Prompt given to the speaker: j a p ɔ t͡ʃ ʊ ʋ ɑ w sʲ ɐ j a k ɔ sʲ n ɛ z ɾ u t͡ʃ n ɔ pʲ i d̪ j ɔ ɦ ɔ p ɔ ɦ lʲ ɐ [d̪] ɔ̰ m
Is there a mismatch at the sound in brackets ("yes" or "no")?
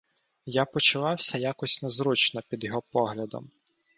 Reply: no